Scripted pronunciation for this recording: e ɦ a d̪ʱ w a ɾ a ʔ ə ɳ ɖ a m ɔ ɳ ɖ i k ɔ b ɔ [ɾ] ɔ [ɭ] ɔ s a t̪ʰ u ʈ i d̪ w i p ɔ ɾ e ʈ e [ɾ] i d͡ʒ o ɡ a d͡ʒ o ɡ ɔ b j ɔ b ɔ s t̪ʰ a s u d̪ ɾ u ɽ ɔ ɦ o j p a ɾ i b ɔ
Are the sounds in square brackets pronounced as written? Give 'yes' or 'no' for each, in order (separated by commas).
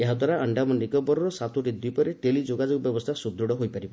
yes, no, no